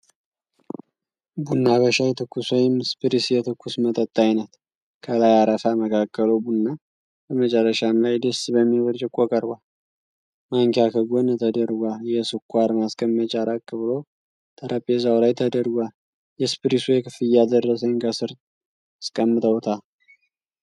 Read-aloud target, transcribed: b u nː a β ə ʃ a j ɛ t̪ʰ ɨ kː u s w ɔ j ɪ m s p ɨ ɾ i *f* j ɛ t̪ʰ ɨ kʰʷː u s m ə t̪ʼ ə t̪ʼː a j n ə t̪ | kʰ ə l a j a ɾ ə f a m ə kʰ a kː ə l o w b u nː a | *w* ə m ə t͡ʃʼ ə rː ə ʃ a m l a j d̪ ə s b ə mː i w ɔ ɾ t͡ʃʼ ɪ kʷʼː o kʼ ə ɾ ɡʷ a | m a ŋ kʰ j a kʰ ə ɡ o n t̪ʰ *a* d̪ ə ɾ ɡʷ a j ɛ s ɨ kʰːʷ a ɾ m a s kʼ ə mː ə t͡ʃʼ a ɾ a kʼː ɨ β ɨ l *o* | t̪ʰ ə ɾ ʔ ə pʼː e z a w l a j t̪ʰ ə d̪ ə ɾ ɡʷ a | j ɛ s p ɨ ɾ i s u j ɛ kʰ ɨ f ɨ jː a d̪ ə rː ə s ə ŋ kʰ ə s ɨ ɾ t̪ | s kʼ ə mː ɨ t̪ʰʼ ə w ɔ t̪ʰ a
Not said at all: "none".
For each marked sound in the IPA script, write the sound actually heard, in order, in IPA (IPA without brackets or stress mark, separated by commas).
s, b, ə, o